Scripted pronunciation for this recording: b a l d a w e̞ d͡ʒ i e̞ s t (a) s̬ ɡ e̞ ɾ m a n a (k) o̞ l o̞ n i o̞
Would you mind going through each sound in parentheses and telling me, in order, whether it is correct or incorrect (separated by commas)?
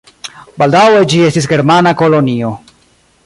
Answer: incorrect, correct